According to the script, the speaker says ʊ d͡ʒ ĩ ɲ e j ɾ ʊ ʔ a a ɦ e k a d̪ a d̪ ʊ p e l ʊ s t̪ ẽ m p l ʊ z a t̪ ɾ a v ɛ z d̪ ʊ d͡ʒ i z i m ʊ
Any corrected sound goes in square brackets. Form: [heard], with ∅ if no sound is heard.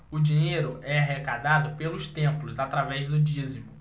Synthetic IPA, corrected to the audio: ʊ d͡ʒ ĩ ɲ e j ɾ ʊ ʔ [ɛ] a ɦ e k a d̪ a d̪ ʊ p e l ʊ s t̪ ẽ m p l ʊ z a t̪ ɾ a v ɛ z d̪ ʊ d͡ʒ i z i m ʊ